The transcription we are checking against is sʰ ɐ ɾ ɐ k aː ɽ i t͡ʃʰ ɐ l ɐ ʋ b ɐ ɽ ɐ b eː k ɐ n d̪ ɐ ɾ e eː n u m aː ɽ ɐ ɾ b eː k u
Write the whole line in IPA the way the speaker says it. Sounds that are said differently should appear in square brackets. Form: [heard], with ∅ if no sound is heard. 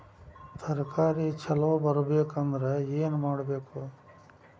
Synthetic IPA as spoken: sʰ ɐ ɾ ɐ k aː [ɾ] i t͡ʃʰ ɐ l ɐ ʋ b ɐ [ɾ] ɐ b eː k ɐ n d̪ ɐ ɾ e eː n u m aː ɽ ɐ [∅] b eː k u